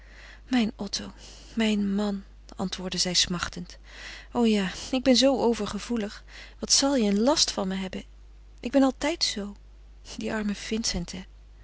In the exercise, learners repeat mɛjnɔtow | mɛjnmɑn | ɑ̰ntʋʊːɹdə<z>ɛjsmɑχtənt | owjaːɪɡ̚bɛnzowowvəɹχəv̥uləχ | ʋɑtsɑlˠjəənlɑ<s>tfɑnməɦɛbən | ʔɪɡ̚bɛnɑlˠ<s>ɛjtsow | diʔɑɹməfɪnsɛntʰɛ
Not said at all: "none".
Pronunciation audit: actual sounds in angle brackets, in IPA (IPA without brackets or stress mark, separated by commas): z, s, t